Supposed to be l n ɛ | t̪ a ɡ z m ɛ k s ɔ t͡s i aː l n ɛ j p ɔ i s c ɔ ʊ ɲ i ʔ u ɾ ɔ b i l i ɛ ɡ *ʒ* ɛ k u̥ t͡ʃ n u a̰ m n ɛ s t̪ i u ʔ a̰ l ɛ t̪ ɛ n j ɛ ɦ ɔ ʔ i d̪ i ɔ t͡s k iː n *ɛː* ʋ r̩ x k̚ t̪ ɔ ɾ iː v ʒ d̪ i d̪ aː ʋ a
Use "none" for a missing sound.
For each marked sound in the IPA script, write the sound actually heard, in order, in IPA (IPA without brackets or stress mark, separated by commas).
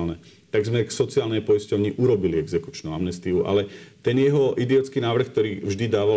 z, aː